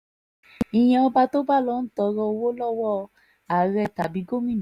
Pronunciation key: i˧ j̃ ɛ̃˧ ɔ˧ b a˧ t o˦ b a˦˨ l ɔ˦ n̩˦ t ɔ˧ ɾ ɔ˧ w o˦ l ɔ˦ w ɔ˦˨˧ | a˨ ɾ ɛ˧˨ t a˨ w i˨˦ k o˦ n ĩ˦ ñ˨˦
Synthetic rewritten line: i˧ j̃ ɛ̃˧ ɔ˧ b a˧ t o˦ b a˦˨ l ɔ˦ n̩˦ t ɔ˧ ɾ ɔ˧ w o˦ l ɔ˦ w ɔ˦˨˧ | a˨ ɾ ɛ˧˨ t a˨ b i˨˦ ɡ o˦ m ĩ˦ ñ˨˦